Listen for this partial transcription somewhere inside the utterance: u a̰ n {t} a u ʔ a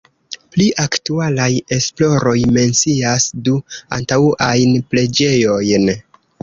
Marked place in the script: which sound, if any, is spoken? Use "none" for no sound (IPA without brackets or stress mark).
t